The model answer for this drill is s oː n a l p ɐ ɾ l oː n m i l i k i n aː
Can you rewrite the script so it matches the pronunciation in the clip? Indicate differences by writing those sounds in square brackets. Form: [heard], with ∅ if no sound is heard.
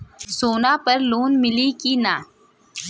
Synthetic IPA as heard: s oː n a [∅] p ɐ ɾ l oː n m [ɪ] l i k i n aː